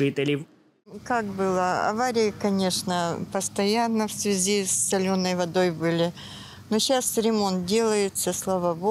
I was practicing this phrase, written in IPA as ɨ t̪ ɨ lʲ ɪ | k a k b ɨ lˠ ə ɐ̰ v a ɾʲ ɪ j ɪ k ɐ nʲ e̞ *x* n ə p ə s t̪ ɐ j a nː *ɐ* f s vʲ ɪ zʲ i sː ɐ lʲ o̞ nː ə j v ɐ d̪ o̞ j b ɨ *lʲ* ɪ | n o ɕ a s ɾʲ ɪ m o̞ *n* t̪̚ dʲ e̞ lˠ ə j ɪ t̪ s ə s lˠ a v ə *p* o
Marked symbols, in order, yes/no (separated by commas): no, no, yes, yes, no